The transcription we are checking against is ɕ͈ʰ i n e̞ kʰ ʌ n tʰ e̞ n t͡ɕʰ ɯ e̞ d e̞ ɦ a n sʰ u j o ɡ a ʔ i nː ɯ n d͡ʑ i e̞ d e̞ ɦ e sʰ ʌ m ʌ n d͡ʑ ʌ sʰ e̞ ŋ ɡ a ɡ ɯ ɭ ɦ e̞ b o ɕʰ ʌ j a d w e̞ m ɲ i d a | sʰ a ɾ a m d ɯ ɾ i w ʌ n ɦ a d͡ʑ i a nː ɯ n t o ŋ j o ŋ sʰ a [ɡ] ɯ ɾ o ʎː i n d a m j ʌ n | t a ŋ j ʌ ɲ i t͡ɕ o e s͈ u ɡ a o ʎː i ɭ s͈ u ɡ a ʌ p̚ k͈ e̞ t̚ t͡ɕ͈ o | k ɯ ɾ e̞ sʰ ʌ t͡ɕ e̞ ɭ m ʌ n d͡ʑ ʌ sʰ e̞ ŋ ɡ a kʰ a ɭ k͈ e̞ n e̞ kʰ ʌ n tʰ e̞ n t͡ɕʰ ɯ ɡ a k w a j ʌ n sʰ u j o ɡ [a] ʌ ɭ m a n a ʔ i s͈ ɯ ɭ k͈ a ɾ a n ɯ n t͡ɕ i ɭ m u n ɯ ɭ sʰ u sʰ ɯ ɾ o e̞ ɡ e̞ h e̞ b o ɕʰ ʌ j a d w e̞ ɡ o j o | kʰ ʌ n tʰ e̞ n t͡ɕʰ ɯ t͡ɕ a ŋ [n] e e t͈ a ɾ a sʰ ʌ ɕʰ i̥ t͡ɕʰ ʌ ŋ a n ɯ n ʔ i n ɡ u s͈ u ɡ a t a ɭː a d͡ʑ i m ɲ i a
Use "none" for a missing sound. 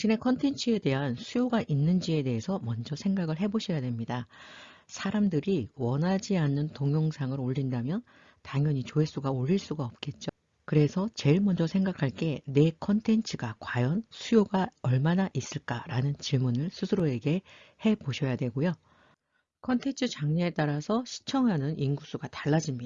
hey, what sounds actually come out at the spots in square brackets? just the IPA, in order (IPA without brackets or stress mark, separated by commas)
ŋ, a, ɲ